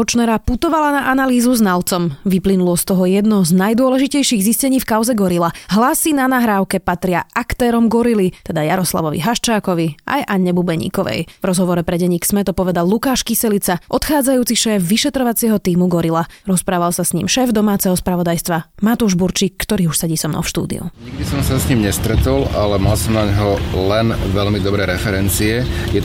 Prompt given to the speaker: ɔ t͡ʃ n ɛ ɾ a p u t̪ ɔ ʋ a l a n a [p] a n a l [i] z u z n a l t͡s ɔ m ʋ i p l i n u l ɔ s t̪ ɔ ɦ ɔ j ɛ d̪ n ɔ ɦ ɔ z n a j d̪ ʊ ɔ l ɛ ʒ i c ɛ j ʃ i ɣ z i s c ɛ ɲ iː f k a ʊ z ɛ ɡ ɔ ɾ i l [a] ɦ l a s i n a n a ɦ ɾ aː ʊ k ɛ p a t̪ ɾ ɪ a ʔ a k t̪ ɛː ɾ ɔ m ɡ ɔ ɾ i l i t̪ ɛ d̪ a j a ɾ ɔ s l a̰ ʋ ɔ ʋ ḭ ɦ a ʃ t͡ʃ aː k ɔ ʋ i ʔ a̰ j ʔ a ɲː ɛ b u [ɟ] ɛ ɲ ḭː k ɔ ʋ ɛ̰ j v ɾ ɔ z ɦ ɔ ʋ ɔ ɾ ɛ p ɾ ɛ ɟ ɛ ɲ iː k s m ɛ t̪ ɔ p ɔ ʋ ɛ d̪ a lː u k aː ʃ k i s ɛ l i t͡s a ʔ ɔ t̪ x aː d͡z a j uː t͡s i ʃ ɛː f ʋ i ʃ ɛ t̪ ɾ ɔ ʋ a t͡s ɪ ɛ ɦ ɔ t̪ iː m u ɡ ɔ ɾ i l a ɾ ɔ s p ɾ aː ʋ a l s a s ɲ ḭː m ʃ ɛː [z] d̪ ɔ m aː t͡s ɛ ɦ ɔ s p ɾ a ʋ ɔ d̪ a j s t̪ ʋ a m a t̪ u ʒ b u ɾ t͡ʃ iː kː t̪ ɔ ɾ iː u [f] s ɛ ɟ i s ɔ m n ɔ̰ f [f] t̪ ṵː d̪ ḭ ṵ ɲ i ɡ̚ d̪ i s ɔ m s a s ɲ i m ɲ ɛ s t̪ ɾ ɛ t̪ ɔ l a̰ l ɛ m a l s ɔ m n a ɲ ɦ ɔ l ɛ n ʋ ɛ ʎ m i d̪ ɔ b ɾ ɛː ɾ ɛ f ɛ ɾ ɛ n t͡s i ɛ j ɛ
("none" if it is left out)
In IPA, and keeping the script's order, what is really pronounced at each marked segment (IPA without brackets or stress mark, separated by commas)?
ʔ, iː, a, b, v, ʃ, ʃ